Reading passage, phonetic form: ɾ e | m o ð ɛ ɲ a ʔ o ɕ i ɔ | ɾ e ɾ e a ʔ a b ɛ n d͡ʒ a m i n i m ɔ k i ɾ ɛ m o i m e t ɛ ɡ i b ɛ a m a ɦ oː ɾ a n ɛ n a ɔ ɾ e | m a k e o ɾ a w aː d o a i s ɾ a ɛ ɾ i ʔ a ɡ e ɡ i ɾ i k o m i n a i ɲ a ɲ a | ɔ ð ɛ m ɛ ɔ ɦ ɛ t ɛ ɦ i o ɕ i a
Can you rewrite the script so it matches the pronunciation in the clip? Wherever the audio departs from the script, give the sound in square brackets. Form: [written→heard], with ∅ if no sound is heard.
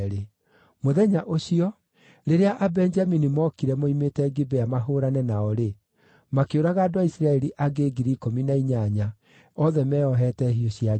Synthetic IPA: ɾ e | m o ð ɛ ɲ a ʔ o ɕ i ɔ | ɾ e ɾ e a ʔ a b ɛ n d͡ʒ a m i n i m ɔ k i ɾ ɛ m o i m e t ɛ ɡ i b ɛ a m a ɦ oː ɾ a n ɛ n a ɔ ɾ e | m a k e o ɾ a [w→ɣ] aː d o a i s ɾ a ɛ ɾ i ʔ a ɡ e ɡ i ɾ i k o m i n a i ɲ a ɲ a | ɔ ð ɛ m ɛ ɔ ɦ ɛ t ɛ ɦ i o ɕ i a